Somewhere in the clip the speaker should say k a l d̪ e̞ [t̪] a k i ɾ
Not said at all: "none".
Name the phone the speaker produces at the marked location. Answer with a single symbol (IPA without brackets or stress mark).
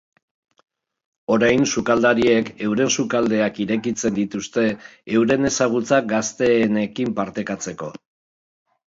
none